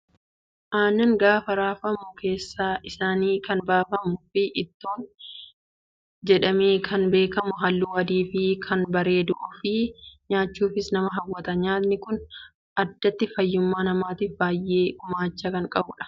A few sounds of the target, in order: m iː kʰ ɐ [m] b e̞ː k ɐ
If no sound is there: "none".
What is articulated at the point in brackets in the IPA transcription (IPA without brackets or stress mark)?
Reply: n